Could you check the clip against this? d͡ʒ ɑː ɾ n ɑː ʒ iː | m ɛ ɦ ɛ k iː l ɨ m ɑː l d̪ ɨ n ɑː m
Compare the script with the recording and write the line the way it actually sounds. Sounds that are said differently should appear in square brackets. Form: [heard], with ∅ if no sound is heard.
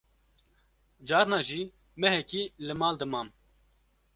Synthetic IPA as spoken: d͡ʒ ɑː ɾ n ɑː ʒ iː | m ɛ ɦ ɛ k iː l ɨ m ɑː l d̪ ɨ [m] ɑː m